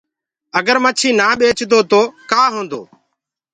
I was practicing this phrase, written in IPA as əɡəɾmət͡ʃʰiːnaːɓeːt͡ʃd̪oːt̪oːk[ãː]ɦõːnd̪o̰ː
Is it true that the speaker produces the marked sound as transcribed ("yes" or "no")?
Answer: no